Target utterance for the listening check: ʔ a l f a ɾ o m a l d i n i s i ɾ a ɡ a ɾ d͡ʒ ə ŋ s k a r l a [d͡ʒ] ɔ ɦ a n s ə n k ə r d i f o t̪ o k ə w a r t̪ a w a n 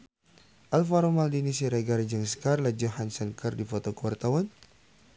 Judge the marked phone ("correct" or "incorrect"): correct